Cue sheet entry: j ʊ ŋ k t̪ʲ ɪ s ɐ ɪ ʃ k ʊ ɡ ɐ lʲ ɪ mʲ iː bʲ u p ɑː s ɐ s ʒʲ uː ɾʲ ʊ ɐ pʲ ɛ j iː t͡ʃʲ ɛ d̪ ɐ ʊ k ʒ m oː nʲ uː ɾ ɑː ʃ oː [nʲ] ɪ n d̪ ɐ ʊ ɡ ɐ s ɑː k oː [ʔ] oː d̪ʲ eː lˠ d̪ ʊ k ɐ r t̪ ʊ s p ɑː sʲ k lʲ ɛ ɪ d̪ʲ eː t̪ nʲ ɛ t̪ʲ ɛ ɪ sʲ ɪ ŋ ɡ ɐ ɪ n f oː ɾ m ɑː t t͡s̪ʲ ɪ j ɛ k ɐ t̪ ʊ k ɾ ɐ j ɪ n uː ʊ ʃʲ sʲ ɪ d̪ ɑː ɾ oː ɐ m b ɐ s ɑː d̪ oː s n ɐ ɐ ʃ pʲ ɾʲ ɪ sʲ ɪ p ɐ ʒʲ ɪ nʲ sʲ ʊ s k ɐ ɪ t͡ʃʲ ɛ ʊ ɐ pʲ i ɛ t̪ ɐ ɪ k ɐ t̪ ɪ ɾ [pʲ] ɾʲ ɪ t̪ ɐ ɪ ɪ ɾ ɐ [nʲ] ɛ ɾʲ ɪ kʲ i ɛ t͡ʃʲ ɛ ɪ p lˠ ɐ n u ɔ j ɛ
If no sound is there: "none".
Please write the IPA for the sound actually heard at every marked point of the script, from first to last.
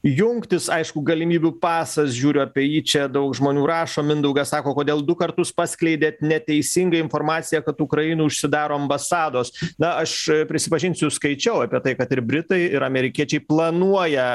mʲ, k, bʲ, mʲ

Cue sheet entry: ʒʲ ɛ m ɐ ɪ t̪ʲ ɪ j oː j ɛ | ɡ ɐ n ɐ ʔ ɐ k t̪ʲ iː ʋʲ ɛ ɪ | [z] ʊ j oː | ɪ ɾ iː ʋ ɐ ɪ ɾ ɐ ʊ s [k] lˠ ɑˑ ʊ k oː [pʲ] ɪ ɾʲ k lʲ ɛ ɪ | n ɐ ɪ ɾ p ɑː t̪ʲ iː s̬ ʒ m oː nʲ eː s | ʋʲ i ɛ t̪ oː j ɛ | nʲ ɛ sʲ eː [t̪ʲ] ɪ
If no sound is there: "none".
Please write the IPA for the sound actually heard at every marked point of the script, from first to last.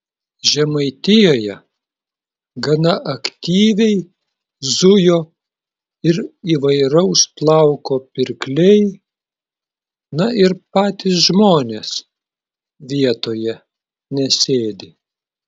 z, p, pʲ, d̪ʲ

